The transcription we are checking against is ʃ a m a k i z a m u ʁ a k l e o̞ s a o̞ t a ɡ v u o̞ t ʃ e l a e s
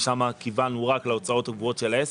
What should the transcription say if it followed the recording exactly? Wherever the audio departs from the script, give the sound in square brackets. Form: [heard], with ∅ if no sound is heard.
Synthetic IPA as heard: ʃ a m a k i [v] a [n] u ʁ a k l e o̞ [t͡s] a o̞ t a ɡ v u o̞ t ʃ e l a e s